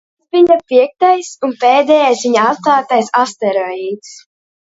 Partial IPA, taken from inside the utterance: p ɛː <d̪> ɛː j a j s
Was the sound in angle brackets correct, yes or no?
yes